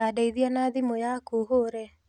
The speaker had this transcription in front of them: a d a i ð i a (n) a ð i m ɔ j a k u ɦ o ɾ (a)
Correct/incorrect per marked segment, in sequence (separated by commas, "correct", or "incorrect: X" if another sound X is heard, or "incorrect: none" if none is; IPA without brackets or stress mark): correct, incorrect: ɛ